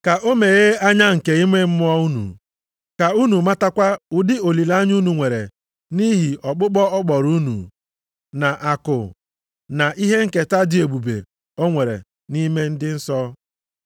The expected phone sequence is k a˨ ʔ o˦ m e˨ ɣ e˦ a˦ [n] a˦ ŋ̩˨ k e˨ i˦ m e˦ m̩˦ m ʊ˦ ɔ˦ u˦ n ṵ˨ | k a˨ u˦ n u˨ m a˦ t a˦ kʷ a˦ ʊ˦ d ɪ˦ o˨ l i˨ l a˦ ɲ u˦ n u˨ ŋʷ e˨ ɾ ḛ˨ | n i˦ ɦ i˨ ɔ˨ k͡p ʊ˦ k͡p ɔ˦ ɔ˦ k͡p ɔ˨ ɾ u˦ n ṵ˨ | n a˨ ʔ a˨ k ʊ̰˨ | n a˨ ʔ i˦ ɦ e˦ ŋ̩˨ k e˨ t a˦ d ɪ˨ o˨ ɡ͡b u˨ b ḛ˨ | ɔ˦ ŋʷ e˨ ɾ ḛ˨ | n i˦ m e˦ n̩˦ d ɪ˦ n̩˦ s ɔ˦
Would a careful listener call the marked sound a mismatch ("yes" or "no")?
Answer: yes